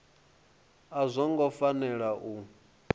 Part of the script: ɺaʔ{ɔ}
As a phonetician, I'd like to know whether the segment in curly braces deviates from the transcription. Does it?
yes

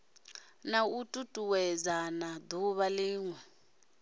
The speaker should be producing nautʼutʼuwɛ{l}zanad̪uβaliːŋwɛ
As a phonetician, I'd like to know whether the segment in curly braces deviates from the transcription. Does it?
yes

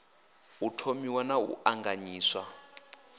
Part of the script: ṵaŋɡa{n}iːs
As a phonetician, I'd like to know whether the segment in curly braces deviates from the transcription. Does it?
yes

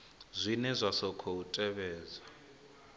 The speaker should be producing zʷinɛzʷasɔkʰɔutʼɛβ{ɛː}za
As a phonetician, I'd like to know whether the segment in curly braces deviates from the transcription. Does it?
no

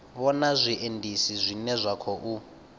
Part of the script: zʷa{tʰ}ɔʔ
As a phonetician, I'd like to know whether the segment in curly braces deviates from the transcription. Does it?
yes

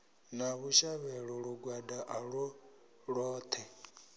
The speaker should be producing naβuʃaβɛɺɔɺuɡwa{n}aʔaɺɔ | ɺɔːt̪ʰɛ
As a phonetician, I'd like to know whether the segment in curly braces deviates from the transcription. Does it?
yes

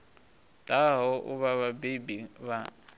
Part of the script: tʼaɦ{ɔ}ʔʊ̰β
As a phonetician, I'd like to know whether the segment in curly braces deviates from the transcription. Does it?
no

